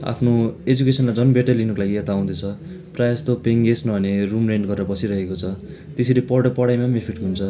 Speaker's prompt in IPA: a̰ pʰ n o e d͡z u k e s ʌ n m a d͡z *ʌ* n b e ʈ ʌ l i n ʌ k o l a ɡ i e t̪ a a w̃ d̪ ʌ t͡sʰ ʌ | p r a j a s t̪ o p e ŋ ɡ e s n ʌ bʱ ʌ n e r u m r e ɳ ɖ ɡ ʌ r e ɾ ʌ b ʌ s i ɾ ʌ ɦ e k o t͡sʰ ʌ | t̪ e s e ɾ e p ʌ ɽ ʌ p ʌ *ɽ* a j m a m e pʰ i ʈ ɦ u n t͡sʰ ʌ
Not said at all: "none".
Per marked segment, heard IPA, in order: ʌ, ɽ

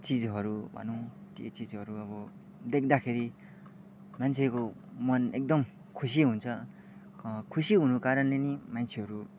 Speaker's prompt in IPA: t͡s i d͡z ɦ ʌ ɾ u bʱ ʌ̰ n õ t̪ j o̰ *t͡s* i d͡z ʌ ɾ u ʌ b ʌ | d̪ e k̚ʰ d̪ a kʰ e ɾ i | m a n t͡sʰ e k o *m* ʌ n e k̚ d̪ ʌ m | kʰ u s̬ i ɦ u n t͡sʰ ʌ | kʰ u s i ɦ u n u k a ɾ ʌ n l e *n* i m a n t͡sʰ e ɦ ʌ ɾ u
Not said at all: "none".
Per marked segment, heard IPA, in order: t͡s, m, n

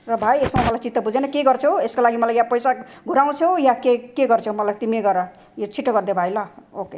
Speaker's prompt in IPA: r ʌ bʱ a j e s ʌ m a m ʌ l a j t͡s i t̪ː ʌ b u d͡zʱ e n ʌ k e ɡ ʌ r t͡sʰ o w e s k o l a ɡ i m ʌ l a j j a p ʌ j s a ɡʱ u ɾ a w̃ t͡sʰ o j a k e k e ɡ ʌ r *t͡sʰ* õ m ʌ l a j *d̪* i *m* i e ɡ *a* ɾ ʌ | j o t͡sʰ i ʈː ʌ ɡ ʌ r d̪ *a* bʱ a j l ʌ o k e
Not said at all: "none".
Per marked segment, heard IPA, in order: t͡sʰ, t̪, m, ʌ, e

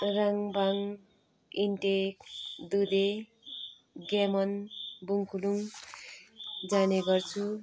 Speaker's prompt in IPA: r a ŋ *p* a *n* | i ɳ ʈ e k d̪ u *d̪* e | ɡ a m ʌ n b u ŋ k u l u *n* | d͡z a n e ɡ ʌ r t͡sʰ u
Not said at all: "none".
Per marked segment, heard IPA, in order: b, ŋ, d̪, ŋ

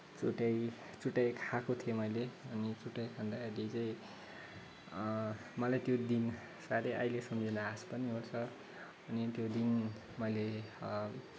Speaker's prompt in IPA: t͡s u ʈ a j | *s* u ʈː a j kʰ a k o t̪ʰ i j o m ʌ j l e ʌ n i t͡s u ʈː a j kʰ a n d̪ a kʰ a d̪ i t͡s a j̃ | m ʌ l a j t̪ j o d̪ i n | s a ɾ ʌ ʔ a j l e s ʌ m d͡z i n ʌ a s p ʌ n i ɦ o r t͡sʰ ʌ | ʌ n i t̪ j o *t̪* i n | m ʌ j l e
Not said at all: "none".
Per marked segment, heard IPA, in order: t͡s, d̪

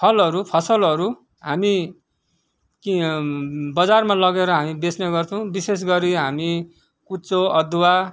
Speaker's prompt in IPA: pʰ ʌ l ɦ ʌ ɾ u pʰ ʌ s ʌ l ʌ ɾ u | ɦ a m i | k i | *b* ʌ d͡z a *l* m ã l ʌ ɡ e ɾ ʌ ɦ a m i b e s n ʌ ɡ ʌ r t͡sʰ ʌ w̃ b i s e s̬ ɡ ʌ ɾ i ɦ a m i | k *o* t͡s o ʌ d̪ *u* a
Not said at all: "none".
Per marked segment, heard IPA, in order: b, r, u, w

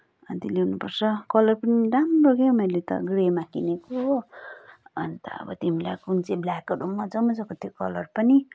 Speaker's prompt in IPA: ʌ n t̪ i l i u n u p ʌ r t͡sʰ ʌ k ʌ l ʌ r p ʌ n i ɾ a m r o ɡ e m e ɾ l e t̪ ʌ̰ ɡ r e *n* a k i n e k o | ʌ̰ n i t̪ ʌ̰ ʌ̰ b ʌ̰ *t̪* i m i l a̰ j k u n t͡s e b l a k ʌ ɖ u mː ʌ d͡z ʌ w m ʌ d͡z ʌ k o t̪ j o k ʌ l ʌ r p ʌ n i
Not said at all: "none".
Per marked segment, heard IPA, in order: m, t̪

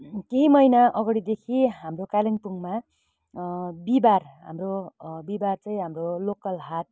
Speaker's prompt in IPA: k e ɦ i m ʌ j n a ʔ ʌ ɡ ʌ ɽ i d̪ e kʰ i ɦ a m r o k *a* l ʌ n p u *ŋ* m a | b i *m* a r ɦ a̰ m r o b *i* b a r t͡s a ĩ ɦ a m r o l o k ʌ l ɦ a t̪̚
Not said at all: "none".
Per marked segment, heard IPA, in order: a, ŋ, b, i

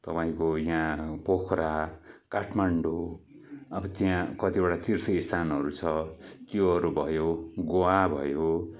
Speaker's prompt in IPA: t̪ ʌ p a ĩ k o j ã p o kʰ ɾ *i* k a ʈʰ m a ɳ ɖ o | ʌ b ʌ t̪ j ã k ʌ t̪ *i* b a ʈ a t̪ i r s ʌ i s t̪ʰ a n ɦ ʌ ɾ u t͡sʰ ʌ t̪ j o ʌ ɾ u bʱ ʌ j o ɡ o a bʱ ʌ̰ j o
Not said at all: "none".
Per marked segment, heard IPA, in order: a, i

